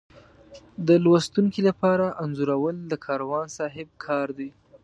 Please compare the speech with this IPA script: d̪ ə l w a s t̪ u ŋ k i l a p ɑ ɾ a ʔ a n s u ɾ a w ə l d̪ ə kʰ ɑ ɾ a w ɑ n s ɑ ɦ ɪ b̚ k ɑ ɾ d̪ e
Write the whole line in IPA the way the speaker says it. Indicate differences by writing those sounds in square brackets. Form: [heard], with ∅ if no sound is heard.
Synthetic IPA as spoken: d̪ ə l w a s t̪ u ŋ k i l a p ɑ ɾ a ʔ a n [z] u ɾ a w ə l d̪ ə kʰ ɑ ɾ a w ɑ n s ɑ ɦ ɪ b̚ [kʰ] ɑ ɾ d̪ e